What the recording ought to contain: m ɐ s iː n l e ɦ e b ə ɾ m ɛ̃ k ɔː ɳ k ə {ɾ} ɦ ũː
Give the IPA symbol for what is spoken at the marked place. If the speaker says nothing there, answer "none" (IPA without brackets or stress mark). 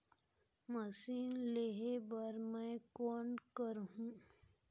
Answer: ɾ